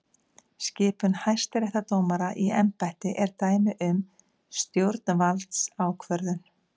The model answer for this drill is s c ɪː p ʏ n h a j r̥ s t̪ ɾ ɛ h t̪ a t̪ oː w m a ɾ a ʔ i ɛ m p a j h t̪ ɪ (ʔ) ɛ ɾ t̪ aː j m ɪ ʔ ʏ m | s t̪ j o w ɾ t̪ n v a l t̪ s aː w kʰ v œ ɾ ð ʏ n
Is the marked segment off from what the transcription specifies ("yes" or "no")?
no